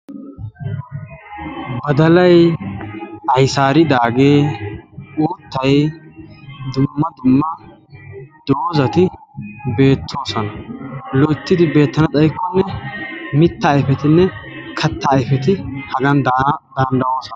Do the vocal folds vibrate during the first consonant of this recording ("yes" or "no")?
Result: yes